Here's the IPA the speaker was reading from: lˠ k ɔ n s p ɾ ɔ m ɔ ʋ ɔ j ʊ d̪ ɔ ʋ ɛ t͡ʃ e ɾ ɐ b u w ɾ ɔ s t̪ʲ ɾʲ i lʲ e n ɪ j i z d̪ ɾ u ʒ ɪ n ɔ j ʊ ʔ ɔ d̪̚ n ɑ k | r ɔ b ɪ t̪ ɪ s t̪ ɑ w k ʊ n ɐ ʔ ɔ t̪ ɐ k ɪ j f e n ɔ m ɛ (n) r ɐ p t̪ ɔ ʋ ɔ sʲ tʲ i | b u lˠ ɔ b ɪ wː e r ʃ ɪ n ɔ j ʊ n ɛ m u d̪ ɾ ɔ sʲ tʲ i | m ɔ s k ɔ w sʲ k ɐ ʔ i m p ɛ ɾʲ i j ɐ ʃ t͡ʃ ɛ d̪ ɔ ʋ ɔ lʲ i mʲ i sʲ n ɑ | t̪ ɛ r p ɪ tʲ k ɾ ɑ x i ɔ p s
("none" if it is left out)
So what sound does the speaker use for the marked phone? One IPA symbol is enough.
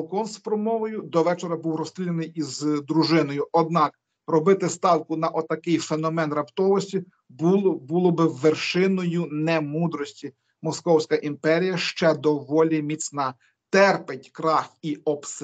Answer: n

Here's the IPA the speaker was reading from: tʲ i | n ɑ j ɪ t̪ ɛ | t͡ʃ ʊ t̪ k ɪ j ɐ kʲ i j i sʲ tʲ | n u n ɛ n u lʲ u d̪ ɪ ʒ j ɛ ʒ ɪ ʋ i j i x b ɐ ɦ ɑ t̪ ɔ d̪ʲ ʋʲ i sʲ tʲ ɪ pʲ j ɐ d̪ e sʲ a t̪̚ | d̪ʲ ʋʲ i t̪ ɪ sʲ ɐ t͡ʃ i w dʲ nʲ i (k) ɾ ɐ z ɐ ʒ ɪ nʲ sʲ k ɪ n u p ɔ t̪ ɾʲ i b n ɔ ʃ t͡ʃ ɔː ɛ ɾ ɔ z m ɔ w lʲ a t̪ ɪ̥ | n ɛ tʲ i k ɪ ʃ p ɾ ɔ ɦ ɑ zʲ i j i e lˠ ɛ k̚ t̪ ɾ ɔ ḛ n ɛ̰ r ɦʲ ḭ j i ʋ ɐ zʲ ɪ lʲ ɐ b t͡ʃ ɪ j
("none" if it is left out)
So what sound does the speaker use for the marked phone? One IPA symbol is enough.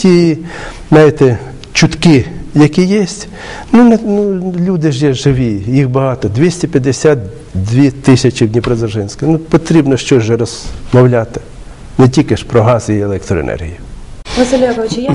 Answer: p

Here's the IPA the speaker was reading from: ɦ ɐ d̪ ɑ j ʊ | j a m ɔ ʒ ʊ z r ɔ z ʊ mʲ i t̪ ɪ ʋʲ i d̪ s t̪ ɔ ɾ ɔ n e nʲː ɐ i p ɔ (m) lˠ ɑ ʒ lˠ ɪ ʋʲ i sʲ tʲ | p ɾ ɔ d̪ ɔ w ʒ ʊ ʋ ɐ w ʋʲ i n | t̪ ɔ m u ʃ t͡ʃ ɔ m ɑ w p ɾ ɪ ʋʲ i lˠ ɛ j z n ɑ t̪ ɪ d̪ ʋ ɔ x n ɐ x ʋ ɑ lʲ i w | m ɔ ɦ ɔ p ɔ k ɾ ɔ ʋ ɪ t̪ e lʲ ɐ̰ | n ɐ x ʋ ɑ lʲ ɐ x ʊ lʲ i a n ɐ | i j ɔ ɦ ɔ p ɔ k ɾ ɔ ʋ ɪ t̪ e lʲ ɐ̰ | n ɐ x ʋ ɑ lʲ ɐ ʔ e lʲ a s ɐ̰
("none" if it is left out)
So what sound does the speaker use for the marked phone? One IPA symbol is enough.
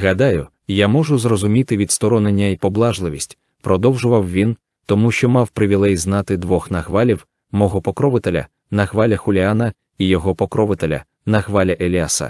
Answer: b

